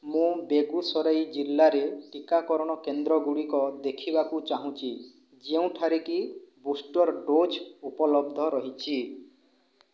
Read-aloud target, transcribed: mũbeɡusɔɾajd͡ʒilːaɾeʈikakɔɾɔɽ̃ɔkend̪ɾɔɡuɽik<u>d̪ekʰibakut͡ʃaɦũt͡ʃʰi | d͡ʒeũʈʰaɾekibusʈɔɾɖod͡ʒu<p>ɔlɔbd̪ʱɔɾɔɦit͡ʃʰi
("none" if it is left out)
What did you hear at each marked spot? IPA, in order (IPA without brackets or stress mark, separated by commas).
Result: ɔ, p